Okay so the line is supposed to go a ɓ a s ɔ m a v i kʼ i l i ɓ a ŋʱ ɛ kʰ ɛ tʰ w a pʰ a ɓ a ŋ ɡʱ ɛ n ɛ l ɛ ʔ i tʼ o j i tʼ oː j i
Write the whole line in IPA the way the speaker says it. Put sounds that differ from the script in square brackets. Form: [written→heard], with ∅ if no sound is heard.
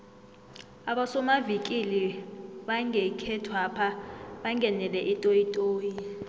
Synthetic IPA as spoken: a ɓ a s ɔ m a v i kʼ i l i ɓ a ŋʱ ɛ kʰ ɛ tʰ w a pʰ a ɓ a ŋ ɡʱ ɛ n ɛ l ɛ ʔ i tʼ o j i tʼ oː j i